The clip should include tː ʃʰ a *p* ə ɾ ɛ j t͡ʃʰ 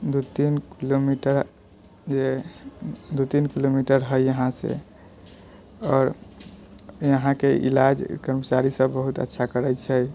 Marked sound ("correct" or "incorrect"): incorrect